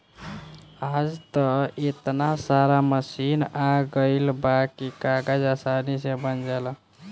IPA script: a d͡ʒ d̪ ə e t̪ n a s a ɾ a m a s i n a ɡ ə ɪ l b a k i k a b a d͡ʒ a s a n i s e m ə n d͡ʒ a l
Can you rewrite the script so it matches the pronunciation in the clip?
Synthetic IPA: a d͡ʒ t̪ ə e t̪ n a s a ɾ a m ə s i n a ɡ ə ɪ l b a k i k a ɡ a d͡ʒ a s a n i s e b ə n d͡ʒ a l

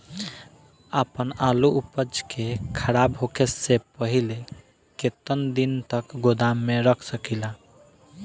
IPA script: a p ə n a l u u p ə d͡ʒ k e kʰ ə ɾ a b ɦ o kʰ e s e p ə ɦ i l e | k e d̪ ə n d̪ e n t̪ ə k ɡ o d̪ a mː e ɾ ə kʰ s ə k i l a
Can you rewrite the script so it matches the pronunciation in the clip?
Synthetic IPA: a p ə n a l u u p ə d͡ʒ k e kʰ ə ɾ a b ɦ o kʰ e s e p ə ɦ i l e | k e t̪ ə n d̪ i n t̪ ə k ɡ o d̪ a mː e ɾ ə kʰ s ə k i l a

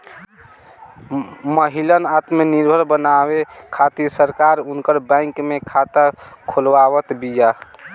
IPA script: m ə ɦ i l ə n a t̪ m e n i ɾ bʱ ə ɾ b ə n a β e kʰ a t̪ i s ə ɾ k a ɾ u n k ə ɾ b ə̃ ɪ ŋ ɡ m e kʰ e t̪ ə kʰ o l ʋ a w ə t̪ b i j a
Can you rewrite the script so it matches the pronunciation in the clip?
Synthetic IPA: m ə ɦ i l ə n a t̪ m e n i ɾ bʱ ə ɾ b ə n a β e kʰ a t̪ i s ə ɾ k a ɾ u n k ə ɾ b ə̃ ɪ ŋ k m e kʰ a t̪ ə kʰ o l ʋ a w ə t̪ b i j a

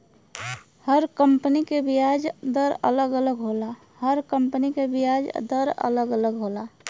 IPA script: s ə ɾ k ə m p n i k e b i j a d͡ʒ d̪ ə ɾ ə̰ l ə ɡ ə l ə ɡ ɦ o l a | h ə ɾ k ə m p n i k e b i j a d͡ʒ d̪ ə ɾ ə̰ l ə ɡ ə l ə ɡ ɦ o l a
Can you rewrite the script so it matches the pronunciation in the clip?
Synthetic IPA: h ə ɾ k ə m p n i k e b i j a d͡ʒ d̪ ə ɾ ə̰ l ə ɡ ə l ə ɡ ɦ o l a | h ə ɾ k ə m p n i k e b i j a d͡ʒ d̪ ə ɾ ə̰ l ə ɡ ə l ə ɡ ɦ o l a

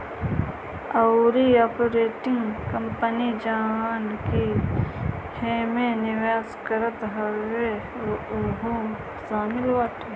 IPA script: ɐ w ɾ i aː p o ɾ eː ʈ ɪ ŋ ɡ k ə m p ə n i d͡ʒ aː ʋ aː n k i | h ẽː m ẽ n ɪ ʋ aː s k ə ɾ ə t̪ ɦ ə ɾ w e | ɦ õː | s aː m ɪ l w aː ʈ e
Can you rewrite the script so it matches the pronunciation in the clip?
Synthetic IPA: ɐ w ɾ i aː p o ɾ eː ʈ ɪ ŋ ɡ k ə m p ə n i d͡ʒ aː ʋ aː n k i | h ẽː m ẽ n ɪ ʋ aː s k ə ɾ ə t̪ ɦ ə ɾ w e | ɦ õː | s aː m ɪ l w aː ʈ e

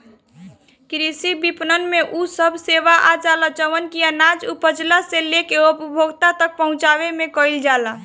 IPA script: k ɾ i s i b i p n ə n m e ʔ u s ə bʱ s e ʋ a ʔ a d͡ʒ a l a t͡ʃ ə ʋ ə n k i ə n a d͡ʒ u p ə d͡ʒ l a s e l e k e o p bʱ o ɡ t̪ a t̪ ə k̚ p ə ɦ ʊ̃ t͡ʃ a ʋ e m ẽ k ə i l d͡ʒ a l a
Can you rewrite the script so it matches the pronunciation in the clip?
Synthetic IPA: k ɾ i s i b i p n ə n m e ʔ u s ə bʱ s e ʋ a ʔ a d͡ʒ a l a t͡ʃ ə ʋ ə n k i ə n a d͡ʒ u p ə d͡ʒ l a s e l e k e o p bʱ o ɡ t̪ a t̪ ə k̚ p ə ɦ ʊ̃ t͡ʃ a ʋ e m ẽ k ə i l d͡ʒ a l a

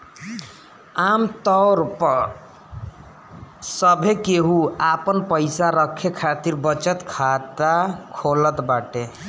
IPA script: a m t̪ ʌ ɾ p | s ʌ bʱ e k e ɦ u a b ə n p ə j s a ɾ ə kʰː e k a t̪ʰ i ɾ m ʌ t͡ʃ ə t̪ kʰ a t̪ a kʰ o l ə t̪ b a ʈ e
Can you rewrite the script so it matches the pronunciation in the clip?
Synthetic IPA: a m t̪ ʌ ɾ p | s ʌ bʱ e k e ɦ u a p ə n p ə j s a ɾ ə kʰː e kʰ a t̪ i ɾ b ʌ t͡ʃ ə t̪ kʰ a t̪ a kʰ o l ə t̪ b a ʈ e

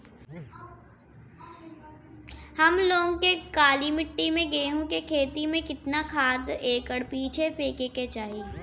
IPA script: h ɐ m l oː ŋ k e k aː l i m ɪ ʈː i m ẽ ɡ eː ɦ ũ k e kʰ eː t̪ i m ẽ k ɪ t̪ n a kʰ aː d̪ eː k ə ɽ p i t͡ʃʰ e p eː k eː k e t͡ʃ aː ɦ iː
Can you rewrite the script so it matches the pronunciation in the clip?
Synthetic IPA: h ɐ m l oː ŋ k e k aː l i m ɪ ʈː i m ẽ ɡ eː ɦ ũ k e kʰ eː t̪ i m ẽ k ɪ t̪ n a kʰ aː d̪ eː k ə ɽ p iː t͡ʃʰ e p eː k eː k e t͡ʃ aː ɦ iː

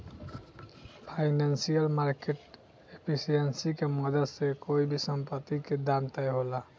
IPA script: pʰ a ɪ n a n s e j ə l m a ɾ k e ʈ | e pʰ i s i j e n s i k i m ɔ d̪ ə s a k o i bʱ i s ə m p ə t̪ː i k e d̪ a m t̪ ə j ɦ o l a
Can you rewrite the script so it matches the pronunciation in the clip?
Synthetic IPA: pʰ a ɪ n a n s i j ə l m a ɾ k e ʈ | e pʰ i s i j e n s i k e m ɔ d̪ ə s e k o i bʱ i s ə m p ə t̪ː i k e d̪ a m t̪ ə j ɦ o l a

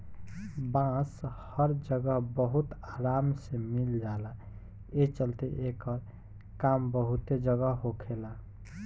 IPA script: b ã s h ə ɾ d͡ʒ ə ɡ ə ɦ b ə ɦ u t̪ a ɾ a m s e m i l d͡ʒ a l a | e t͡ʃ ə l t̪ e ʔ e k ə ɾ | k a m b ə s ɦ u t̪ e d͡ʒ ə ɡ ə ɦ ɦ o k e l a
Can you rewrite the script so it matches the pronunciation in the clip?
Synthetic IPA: b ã s h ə ɾ d͡ʒ ə ɡ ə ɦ b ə ɦ u t̪ a ɾ a m s e m i l d͡ʒ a l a | e t͡ʃ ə l t̪ e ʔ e k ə ɾ | k a m b ə ɦ u t̪ e d͡ʒ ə ɡ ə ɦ ɦ o kʰ e l a

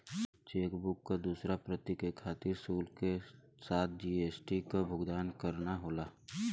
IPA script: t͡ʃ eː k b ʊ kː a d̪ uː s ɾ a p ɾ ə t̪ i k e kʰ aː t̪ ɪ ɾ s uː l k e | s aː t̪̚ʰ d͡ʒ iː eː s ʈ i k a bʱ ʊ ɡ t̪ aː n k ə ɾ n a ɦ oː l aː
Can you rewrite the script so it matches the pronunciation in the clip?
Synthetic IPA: t͡ʃ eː k b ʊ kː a d̪ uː s ɾ a p ɾ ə t̪ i k e kʰ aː t̪ ɪ ɾ s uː l k e | s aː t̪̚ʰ d͡ʒ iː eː s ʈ i k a bʱ ʊ ɡ d̪ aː n k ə ɾ n a ɦ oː l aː

